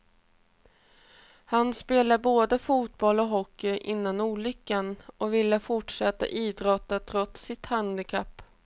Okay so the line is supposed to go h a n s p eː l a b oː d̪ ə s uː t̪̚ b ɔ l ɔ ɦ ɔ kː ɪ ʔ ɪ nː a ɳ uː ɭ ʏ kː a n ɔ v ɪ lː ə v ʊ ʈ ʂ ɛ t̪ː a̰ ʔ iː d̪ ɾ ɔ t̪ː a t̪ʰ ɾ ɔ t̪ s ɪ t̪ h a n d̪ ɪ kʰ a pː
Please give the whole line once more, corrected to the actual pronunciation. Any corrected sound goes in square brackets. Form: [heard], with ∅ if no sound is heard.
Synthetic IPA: h a n s p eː l a b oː d̪ ə [f] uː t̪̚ b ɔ l ɔ ɦ ɔ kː ɪ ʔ ɪ nː a [n] uː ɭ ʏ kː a n ɔ v ɪ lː ə [f] ʊ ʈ ʂ ɛ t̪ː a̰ ʔ iː d̪ ɾ ɔ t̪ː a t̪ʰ ɾ ɔ t̪ s ɪ t̪ h a n d̪ ɪ kʰ a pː